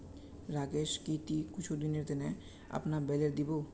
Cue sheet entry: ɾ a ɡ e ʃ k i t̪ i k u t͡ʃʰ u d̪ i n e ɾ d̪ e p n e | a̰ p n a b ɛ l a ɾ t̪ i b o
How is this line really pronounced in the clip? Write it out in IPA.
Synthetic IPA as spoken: ɾ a ɡ e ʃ k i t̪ i k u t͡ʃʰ u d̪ i n e ɾ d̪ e n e | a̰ p n a b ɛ l e ɾ d̪ i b o